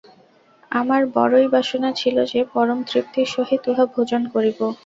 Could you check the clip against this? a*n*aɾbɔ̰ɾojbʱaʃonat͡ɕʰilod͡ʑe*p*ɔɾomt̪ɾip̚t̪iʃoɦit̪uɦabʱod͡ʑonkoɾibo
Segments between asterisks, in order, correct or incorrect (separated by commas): incorrect, correct